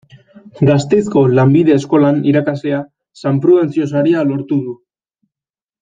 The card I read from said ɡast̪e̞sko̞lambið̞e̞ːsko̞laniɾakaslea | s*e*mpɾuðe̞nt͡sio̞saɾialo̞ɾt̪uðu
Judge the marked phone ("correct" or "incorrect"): incorrect